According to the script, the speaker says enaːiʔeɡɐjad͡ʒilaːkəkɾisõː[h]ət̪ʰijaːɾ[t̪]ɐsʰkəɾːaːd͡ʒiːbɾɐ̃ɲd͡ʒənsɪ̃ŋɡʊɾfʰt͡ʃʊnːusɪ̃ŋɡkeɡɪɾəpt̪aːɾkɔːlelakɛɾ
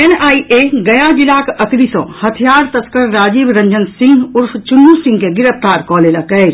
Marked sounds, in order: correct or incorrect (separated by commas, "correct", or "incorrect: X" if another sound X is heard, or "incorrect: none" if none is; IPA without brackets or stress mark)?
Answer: correct, correct